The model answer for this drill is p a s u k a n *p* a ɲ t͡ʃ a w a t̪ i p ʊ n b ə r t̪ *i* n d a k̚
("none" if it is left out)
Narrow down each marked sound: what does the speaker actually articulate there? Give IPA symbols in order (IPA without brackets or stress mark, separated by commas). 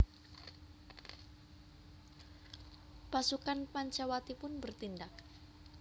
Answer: p, i